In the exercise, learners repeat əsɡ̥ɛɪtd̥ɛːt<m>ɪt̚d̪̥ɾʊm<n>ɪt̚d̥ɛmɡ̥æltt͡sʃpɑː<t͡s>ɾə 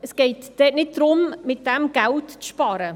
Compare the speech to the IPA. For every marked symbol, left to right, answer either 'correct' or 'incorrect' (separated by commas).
incorrect, incorrect, incorrect